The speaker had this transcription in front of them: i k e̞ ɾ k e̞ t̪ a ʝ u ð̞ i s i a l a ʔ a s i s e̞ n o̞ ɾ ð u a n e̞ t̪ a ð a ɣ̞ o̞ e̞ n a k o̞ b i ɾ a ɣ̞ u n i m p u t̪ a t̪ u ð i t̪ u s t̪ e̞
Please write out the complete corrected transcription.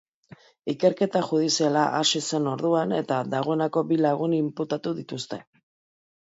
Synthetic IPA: i k e̞ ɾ k e̞ t̪ a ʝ u ð̞ i s i a l a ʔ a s i s e̞ n o̞ ɾ ð u a n e̞ t̪ a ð a ɣ̞ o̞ e̞ n a k o̞ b i l a ɣ̞ u n i m p u t̪ a t̪ u ð i t̪ u s t̪ e̞